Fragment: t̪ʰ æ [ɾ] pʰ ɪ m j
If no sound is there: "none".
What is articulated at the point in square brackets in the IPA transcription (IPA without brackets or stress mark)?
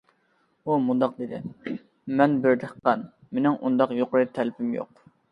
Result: l